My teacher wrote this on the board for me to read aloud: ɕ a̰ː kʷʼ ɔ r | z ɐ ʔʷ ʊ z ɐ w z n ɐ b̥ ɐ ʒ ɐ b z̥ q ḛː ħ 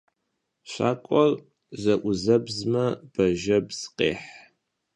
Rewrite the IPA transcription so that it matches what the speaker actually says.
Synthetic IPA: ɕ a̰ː kʷʼ ɔ r | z ɐ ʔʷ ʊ z ɐ b z m ɐ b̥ ɐ ʒ ɐ b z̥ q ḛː ħ